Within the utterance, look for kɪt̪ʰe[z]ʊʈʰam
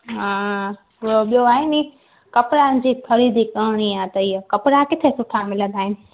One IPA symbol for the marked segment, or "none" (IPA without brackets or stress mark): s